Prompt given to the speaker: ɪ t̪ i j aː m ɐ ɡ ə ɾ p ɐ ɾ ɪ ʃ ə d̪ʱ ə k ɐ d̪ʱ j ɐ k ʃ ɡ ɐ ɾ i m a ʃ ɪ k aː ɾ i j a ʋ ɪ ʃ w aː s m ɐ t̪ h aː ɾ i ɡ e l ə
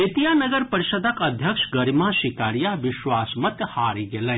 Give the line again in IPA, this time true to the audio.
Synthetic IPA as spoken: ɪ t̪ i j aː n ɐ ɡ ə ɾ p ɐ ɾ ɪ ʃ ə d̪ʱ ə k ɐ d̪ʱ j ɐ k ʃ ɡ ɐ ɾ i m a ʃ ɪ k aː ɾ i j a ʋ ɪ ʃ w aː s m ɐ t̪ h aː ɾ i ɡ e l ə